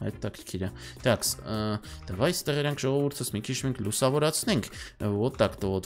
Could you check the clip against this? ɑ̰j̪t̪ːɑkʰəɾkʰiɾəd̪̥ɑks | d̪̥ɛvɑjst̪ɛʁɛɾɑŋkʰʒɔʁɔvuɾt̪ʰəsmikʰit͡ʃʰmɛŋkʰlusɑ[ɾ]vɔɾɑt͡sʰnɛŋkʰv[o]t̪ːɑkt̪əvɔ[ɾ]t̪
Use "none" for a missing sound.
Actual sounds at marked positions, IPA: none, ɔ, none

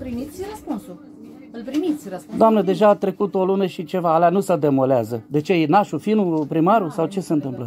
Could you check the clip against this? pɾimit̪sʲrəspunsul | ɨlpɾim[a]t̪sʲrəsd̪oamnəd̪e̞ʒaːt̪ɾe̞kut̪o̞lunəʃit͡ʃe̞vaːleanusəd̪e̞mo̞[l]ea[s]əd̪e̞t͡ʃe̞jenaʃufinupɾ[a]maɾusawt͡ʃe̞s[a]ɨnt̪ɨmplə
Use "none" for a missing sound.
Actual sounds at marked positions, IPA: i, l, z, i, e

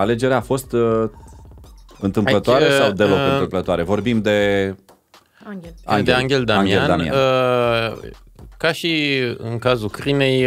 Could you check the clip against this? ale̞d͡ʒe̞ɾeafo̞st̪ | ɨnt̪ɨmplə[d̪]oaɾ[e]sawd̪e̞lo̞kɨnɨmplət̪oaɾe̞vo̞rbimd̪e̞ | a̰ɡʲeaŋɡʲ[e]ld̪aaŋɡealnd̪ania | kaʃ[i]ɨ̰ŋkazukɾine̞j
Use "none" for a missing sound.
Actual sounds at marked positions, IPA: t̪, e, e, i

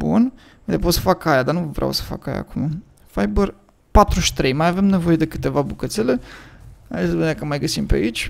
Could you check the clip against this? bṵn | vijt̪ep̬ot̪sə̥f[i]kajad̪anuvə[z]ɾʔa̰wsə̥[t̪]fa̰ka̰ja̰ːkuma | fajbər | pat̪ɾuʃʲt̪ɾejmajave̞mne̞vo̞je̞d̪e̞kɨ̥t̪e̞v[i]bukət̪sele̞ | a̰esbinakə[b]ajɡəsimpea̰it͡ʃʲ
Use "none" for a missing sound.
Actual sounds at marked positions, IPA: a, v, none, a, m

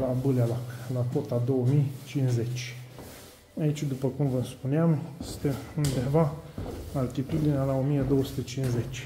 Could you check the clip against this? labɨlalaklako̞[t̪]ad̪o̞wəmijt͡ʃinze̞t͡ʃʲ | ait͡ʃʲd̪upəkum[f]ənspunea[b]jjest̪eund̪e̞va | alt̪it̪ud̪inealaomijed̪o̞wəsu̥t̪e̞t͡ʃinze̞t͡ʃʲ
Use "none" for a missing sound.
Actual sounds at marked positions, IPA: t̪, v, m

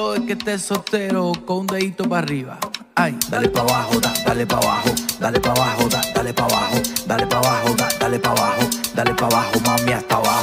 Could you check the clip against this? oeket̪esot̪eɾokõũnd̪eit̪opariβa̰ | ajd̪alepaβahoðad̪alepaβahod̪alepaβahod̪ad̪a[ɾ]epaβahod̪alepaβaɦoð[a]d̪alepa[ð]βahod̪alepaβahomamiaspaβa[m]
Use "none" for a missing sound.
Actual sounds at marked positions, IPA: l, a, none, none

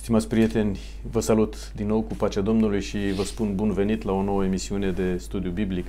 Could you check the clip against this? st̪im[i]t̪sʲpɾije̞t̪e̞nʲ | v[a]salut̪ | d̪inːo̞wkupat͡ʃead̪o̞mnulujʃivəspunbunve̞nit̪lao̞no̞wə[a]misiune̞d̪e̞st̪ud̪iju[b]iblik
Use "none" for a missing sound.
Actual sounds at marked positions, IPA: a, ə, e, b

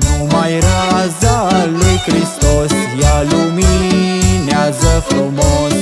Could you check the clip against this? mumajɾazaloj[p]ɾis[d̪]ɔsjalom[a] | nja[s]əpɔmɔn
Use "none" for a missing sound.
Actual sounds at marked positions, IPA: k, t̪, i, z

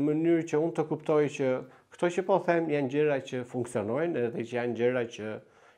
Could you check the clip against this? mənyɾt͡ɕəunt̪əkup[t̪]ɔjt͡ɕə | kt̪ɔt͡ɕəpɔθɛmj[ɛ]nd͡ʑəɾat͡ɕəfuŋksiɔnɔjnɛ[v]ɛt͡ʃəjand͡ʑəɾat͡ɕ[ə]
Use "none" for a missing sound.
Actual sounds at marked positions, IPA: t̪, a, ð, ə

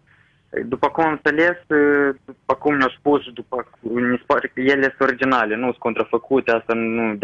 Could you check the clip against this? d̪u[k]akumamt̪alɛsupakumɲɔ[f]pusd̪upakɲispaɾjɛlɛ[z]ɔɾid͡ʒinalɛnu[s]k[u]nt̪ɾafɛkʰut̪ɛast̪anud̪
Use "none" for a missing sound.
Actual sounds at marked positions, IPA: p, s, s, s, ɔ

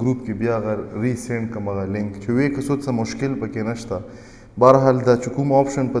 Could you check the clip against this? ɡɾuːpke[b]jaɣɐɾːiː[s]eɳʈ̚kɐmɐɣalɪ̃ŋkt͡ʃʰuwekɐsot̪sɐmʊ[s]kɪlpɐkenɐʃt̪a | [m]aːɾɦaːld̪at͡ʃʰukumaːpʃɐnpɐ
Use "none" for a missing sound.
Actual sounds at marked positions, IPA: b, s, ʃ, b

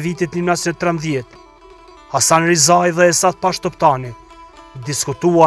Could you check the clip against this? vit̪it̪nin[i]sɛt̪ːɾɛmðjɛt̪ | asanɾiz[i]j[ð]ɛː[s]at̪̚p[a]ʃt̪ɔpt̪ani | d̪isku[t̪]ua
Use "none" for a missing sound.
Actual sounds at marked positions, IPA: a, a, ð, s, a, t̪

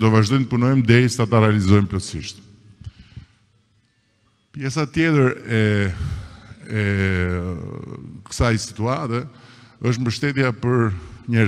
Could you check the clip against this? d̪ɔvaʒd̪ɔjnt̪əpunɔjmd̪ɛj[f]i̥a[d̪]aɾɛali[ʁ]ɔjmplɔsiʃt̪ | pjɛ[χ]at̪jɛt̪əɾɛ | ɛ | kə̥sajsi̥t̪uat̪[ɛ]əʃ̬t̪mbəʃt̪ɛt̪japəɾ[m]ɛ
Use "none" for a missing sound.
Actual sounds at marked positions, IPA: s, t̪, z, s, ɛ, ɲ

